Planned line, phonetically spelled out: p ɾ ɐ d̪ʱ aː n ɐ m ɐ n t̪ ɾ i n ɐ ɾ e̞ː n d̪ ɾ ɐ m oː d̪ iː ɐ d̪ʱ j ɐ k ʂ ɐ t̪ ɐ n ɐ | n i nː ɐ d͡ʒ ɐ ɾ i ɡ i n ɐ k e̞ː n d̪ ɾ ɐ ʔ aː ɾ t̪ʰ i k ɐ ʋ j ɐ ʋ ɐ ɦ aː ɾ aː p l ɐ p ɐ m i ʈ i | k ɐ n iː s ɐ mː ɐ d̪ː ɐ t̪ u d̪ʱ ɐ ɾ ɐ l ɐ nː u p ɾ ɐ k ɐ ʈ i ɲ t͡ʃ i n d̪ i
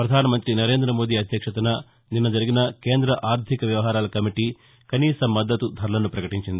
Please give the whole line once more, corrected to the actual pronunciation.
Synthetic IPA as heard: p ɾ ɐ d̪ʱ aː n ɐ m ɐ n t̪ ɾ i n ɐ ɾ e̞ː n d̪ ɾ ɐ m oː d̪ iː ɐ d̪ʱ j ɐ k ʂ ɐ t̪ ɐ n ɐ | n i nː ɐ d͡ʒ ɐ ɾ i ɡ i n ɐ k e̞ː n d̪ ɾ ɐ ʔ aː ɾ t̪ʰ i k ɐ ʋ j ɐ ʋ ɐ ɦ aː ɾ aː l ɐ k ɐ m i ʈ i | k ɐ n iː s ɐ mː ɐ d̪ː ɐ t̪ u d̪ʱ ɐ ɾ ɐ l ɐ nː u p ɾ ɐ k ɐ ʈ i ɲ t͡ʃ i n d̪ i

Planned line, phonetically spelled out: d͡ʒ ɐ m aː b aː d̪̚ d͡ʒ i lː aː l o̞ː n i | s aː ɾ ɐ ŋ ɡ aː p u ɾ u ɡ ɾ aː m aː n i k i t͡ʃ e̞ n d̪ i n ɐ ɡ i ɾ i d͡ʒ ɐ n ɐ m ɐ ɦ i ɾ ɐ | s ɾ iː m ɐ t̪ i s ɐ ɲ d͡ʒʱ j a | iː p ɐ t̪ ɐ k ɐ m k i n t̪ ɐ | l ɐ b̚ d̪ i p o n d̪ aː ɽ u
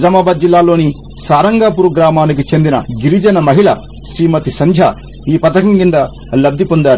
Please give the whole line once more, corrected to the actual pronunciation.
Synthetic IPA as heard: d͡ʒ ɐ m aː b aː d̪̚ d͡ʒ i lː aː l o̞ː n i | s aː ɾ ɐ ŋ ɡ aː p u ɾ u ɡ ɾ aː m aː n i k i t͡ʃ e̞ n d̪ i n ɐ ɡ i ɾ i d͡ʒ ɐ n ɐ m ɐ ɦ i ɭ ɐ | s ɾ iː m ɐ t̪ i s ɐ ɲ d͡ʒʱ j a | iː p ɐ t̪ ɐ k ɐ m k i n d̪ ɐ | l ɐ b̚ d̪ i p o n d̪ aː ɾ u

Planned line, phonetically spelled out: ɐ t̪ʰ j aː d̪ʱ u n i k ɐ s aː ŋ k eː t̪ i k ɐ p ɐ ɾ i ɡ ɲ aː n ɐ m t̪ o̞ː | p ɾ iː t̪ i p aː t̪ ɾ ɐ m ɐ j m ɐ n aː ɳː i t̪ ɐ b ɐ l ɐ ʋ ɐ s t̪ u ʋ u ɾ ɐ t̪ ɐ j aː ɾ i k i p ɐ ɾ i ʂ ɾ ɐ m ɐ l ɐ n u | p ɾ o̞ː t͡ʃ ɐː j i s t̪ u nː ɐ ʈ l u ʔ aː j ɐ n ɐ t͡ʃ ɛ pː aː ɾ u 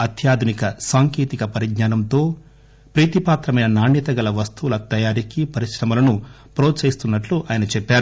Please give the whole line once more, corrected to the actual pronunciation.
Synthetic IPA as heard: ɐ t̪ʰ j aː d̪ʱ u n i k ɐ s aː ŋ k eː t̪ i k ɐ p ɐ ɾ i ɡ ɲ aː n ɐ m t̪ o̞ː | p ɾ iː t̪ i p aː t̪ ɾ ɐ m ɐ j n ɐ n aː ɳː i t̪ ɐ ɡ ɐ l ɐ ʋ ɐ s t̪ u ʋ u l ɐ t̪ ɐ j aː ɾ i k i p ɐ ɾ i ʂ ɾ ɐ m ɐ l ɐ n u | p ɾ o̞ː t͡ʃ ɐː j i s t̪ u nː ɐ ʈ l u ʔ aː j ɐ n ɐ t͡ʃ ɛ pː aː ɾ u

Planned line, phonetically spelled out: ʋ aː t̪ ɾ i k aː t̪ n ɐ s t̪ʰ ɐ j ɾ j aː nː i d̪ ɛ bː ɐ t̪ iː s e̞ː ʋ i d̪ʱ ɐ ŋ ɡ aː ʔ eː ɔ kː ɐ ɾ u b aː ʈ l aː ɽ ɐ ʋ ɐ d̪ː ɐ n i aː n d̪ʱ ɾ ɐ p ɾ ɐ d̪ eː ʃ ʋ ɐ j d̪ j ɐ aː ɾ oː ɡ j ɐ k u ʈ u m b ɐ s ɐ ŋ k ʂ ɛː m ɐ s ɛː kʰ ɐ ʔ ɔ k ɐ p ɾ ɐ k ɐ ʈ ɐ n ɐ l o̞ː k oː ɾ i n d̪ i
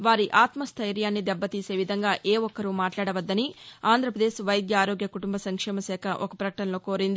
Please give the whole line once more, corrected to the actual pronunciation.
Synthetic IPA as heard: ʋ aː ɾ i ʔ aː t̪ m ɐ s t̪ʰ ɐ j ɾ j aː nː i d̪ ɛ bː ɐ t̪ iː s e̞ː ʋ i d̪ʱ ɐ ŋ ɡ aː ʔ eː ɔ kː ɐ ɾ u m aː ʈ l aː ɽ ɐ ʋ ɐ d̪ː ɐ n i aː n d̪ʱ ɾ ɐ p ɾ ɐ d̪ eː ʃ ʋ ɐ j d̪ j ɐ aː ɾ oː ɡ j ɐ k u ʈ u m b ɐ s ɐ ŋ k ʂ ɛː m ɐ s ɛː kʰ ɐ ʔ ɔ k ɐ p ɾ ɐ k ɐ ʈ ɐ n ɐ l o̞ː k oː ɾ i n d̪ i

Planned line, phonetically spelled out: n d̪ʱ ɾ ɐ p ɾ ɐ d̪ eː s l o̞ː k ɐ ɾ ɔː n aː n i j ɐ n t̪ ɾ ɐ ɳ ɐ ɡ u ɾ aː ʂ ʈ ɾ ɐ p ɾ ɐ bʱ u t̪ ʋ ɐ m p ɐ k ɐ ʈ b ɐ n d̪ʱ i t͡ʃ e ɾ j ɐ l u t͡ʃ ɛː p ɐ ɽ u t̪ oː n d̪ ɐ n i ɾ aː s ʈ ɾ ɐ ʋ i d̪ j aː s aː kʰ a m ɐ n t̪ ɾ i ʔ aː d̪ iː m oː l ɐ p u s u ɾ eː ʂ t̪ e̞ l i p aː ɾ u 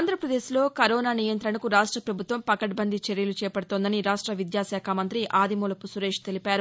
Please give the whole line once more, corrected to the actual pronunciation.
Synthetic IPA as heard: n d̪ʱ ɾ ɐ p ɾ ɐ d̪ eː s l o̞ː k ɐ ɾ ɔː n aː n i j ɐ n t̪ ɾ ɐ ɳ ɐ k u ɾ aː ʂ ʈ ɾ ɐ p ɾ ɐ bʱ u t̪ ʋ ɐ m p ɐ k ɐ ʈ b ɐ n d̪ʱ i t͡ʃ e ɾ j ɐ l u t͡ʃ ɛː p ɐ ɽ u t̪ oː n d̪ ɐ n i ɾ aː ʂ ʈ ɾ ɐ ʋ i d̪ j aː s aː kʰ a m ɐ n t̪ ɾ i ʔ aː d̪ i m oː l ɐ p u s u ɾ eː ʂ t̪ e̞ l i p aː ɾ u

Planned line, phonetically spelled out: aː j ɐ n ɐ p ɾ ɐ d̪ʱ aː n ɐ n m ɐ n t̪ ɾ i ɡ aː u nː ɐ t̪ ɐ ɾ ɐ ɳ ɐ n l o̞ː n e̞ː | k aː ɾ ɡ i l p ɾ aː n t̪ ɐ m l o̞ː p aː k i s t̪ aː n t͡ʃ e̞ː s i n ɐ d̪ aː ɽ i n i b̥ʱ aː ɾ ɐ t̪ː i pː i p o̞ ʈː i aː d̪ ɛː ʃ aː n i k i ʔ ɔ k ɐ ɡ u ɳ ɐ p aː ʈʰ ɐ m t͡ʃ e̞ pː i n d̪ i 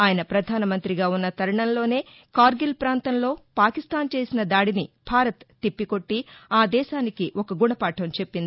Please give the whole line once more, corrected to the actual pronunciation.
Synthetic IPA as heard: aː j ɐ n ɐ p ɾ ɐ d̪ʱ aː n ɐ m ɐ n t̪ ɾ i ɡ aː u nː ɐ t̪ ɐ ɾ ɐ ɳ ɐ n l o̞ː n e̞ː | k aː ɾ ɡ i l p ɾ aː n t̪ ɐ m l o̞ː p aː k i s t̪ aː n t͡ʃ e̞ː s i n ɐ d̪ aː ɽ i n i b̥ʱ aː ɾ ɐ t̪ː i pː i k o̞ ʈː i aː d̪ ɛː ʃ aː n i k i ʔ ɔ k ɐ ɡ u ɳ ɐ p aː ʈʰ ɐ m t͡ʃ e̞ pː i n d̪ i

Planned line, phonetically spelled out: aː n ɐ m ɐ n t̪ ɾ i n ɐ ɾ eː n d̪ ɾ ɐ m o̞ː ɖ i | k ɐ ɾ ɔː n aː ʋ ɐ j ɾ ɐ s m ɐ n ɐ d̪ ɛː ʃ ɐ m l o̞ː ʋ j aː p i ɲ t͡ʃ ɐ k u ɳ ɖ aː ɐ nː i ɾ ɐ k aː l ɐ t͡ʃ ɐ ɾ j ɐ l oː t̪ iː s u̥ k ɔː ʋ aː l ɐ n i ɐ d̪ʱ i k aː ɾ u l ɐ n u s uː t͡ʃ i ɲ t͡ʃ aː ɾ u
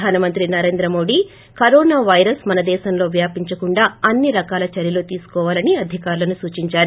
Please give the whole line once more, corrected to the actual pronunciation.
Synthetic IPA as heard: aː n ɐ m ɐ n t̪ ɾ i n ɐ ɾ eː n d̪ ɾ ɐ m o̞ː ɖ i | k ɐ ɾ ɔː n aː ʋ ɐ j ɾ ɐ s m ɐ n ɐ d̪ ɛː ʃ ɐ m l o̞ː ʋ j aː p i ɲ t͡ʃ ɐ k u ɳ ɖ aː ɐ nː i ɾ ɐ k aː l ɐ t͡ʃ ɐ ɾ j ɐ l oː t̪ iː s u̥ k ɔː ʋ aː l ɐ n i ɐ d̪ʱ i k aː ɾ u l ɐ n u s uː t͡ʃ i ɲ t͡ʃ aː ɾ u

